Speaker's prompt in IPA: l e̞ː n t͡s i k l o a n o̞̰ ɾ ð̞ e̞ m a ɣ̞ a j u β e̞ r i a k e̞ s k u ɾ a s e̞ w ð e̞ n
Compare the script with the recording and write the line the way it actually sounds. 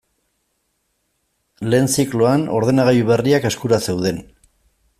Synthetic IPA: l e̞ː n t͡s i k l o a n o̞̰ ɾ ð̞ e̞ n a ɣ̞ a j u β e̞ r i a k e̞ s k u ɾ a s e̞ w ð e̞ n